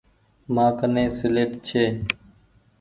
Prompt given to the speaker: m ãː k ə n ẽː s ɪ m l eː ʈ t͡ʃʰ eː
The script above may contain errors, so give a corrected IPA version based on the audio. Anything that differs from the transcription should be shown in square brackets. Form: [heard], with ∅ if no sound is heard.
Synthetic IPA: m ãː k ə n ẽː s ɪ [∅] l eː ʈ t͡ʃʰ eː